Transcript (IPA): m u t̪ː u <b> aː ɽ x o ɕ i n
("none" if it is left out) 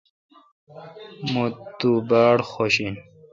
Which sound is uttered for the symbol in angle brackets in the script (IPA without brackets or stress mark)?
b